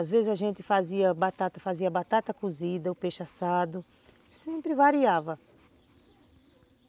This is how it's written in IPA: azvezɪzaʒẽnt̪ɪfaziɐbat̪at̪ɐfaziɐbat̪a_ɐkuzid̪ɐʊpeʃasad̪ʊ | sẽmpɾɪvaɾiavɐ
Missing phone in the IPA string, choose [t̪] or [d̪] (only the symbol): t̪